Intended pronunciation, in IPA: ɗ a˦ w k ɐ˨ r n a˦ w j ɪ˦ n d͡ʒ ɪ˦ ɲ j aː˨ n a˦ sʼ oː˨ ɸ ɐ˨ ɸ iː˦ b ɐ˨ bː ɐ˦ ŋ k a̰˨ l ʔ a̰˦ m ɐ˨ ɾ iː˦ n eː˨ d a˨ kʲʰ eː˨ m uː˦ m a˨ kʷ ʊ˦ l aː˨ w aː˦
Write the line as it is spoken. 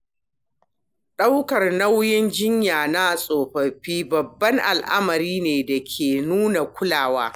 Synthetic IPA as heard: ɗ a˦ w k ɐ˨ r n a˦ w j ɪ˦ n d͡ʒ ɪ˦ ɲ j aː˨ n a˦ sʼ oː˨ ɸ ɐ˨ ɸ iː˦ b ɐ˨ bː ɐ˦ ŋ ʔ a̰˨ l ʔ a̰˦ m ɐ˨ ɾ iː˦ n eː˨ d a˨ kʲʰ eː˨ n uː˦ n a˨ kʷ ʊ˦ l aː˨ w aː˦